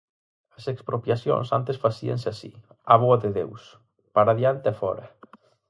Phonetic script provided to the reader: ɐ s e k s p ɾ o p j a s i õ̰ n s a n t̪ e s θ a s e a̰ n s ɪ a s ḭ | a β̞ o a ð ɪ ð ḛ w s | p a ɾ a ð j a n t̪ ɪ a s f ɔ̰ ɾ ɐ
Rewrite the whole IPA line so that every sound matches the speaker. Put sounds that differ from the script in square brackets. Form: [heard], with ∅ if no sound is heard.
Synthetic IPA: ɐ s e k s p ɾ o p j a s [j] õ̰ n s a n t̪ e s [f] a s [i] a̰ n s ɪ a s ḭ | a β̞ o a ð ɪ ð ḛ w s | p a ɾ a ð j a n t̪ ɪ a [∅] f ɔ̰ ɾ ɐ

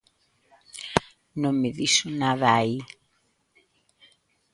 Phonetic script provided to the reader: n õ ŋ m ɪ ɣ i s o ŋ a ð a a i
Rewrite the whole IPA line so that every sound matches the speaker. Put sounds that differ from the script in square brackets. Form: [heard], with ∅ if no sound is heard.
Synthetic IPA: n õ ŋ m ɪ [ð] i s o [n] a ð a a i

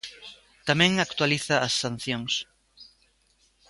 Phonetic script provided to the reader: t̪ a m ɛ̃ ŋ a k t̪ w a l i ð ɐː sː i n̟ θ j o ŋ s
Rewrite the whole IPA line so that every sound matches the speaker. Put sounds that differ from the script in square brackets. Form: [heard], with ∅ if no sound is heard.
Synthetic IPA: t̪ a m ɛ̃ ŋ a k t̪ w a l i [θ] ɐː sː [a] n̟ θ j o ŋ s

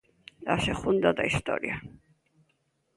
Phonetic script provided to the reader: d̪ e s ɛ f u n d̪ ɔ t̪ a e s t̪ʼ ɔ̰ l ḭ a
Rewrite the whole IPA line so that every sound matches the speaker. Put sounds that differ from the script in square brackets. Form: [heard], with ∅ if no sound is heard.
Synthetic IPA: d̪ [a] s ɛ [χ] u n d̪ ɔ [d̪] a [i] s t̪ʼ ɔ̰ [ɾ] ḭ a

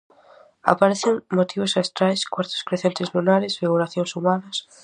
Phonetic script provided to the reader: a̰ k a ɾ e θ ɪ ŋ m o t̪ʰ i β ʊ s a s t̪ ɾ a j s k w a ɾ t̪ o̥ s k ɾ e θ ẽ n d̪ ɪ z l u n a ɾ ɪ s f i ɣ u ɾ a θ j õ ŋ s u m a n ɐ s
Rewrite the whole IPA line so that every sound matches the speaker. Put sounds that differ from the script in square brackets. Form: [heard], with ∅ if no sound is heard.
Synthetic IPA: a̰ [p] a ɾ e θ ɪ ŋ m o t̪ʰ i β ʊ s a s t̪ ɾ a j s k w a ɾ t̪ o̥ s k ɾ e θ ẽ n [t̪] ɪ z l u n a ɾ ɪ s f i ɣ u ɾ a θ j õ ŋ s u m a n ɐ s

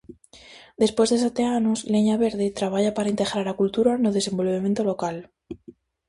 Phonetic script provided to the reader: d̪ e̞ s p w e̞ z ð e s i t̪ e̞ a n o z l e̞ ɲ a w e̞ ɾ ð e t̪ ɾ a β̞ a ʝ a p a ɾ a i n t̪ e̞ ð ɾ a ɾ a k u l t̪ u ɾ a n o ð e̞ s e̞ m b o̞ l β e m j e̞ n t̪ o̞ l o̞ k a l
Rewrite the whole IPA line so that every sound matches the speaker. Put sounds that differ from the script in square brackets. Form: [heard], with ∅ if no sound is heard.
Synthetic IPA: d̪ e̞ s p w e̞ z ð e s [a] t̪ e̞ a n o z l e̞ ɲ a [β] e̞ ɾ ð e t̪ ɾ a β̞ a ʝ a p a ɾ a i n t̪ e̞ [ɣ] ɾ a ɾ a k u l t̪ u ɾ a n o ð e̞ s e̞ m b o̞ l β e m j e̞ n t̪ o̞ l o̞ k a l

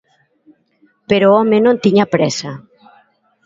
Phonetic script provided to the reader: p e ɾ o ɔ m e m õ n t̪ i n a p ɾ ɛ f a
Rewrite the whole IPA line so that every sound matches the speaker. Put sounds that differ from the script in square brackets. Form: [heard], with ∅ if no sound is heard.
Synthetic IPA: p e ɾ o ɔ m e [n] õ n t̪ i [ɲ] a p ɾ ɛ [s] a

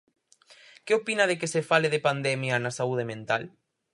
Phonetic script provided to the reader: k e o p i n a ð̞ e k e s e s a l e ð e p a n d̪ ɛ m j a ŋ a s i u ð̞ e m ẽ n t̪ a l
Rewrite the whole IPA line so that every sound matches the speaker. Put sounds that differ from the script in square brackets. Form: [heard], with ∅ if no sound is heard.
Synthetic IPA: k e o p i n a ð̞ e k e s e [f] a l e ð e p a n d̪ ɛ m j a [n] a s [a] u ð̞ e m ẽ n t̪ a l

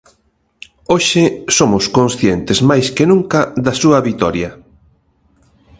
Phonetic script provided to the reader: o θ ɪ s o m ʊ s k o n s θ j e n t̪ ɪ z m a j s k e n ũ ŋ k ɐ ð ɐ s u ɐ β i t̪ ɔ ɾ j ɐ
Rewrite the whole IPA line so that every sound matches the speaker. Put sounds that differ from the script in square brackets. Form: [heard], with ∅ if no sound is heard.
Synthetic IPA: o [ʃ] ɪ s o m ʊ s k o n s θ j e n t̪ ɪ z m a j s k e n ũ ŋ k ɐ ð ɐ s u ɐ β i t̪ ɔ ɾ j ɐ

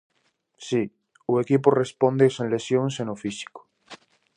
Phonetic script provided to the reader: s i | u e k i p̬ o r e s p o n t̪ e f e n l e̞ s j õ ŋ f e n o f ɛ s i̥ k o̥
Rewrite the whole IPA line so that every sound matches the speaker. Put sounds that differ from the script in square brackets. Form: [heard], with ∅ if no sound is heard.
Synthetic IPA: s i | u e k i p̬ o r e s p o n [d̪] e [s] e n l e̞ s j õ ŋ [s] e n o f [i] s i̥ k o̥

